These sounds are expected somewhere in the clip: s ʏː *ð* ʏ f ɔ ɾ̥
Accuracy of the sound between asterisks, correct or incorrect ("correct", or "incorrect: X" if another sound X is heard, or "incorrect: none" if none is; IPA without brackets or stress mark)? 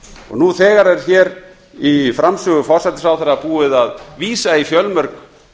incorrect: ɣ